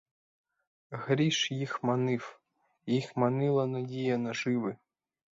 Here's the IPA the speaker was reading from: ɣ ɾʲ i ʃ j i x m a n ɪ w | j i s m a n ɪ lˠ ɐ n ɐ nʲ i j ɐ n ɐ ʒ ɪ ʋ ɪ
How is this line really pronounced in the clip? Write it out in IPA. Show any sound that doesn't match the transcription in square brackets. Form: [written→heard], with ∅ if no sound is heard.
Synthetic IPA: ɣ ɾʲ i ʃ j i x m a n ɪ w | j i [s→x] m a n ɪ lˠ ɐ n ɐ [nʲ→dʲ] i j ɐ n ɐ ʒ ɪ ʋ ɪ